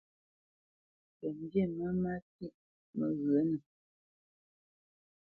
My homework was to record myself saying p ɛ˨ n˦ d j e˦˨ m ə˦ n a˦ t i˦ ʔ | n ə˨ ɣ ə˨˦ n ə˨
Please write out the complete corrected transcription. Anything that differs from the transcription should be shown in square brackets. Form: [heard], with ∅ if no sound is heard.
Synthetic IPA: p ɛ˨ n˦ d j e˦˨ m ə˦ [m] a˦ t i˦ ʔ | [m] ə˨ ɣ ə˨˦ n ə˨